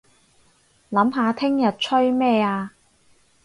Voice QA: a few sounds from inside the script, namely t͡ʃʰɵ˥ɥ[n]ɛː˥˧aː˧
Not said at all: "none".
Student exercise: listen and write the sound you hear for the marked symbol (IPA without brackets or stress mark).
m